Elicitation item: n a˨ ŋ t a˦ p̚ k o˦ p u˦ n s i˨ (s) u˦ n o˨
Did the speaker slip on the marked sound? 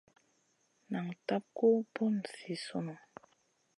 no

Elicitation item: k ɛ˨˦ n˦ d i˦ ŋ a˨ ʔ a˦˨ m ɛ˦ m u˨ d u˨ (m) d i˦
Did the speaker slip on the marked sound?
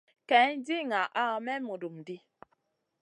no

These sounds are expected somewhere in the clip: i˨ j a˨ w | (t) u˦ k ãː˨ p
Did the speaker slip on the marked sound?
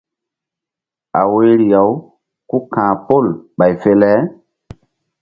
yes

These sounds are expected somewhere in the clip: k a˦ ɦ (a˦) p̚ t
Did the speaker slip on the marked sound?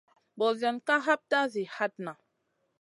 no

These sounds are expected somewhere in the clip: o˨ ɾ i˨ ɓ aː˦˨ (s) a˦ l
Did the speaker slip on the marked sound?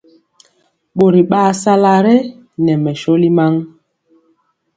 no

